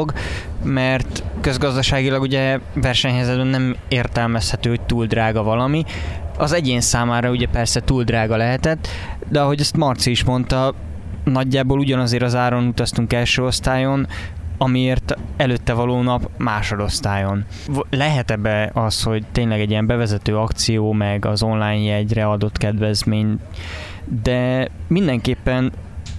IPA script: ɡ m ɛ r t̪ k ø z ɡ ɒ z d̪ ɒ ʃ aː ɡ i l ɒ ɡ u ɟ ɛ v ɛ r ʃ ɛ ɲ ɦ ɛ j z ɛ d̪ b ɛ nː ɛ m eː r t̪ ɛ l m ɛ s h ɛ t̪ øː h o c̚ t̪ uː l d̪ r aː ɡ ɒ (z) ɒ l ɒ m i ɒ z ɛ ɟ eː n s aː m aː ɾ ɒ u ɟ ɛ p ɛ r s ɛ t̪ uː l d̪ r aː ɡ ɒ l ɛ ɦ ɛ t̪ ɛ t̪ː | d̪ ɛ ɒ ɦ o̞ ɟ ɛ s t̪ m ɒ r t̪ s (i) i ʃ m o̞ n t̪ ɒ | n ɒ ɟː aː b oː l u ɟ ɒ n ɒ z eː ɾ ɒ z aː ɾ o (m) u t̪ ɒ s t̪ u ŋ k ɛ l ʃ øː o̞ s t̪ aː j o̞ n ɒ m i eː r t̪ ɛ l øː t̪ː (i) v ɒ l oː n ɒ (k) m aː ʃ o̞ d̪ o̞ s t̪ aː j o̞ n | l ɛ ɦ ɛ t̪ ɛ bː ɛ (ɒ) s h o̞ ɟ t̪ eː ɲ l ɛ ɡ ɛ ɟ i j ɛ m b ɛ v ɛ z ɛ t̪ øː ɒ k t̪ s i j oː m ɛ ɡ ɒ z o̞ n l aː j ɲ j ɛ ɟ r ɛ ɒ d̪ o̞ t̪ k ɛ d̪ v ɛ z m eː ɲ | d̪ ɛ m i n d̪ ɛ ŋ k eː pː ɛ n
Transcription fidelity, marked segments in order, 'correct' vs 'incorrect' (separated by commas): incorrect, correct, incorrect, incorrect, incorrect, correct